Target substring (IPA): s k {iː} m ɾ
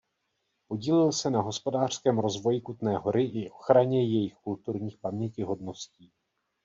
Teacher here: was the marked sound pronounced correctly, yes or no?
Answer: no